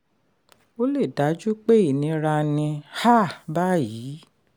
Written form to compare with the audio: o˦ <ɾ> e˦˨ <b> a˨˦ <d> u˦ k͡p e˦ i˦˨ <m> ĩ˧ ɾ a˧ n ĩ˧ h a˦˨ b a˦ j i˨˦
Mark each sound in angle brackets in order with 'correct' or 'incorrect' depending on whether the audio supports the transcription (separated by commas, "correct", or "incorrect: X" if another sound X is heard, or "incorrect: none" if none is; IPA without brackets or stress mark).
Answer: incorrect: l, incorrect: d, incorrect: d͡ʒ, incorrect: n